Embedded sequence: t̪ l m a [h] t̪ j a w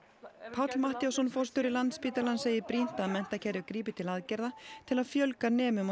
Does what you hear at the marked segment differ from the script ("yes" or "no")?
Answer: no